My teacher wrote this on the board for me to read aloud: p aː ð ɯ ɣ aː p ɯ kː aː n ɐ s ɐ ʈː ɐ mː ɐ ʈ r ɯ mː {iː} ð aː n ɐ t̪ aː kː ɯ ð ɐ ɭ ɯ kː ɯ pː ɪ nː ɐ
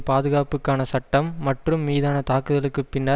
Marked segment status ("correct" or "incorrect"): correct